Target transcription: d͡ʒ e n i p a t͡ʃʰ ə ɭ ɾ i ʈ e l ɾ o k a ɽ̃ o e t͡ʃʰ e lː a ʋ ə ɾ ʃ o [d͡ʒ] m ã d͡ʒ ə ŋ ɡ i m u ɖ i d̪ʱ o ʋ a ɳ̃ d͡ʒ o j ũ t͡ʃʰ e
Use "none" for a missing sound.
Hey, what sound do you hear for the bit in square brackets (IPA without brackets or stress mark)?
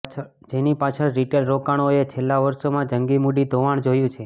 none